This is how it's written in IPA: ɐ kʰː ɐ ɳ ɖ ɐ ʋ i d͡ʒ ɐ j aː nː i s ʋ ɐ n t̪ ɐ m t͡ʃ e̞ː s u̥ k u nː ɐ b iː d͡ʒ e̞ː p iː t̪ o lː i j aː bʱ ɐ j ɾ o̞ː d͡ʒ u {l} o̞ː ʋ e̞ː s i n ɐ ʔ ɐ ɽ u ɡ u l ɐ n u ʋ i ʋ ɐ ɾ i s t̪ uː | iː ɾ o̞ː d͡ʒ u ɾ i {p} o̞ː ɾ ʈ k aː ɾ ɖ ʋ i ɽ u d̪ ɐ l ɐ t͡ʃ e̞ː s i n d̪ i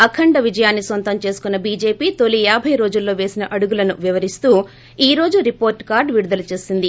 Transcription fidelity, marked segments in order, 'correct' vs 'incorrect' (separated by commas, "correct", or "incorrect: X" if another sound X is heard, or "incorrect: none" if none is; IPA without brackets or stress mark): incorrect: lː, correct